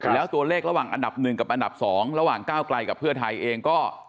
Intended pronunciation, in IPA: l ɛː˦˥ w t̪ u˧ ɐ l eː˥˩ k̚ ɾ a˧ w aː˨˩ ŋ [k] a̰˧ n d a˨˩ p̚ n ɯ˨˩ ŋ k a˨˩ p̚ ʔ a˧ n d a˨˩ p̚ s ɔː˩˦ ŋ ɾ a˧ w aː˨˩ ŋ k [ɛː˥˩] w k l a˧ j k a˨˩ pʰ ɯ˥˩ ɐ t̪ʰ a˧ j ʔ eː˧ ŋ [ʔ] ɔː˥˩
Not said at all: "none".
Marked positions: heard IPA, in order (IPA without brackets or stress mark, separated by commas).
ʔ, aː˥˩, k